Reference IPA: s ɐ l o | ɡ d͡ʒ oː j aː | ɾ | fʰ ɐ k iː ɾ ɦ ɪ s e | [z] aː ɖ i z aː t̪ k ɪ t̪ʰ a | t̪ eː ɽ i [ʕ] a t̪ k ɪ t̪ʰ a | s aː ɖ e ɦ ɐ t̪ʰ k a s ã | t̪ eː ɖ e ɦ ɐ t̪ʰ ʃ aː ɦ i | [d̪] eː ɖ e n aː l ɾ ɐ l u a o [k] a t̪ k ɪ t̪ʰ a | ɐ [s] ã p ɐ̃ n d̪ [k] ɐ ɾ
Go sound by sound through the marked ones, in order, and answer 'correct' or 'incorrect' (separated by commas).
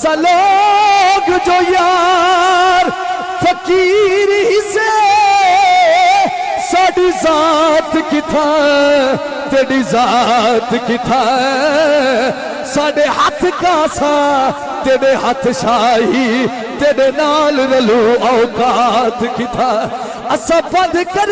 incorrect, incorrect, incorrect, correct, correct, correct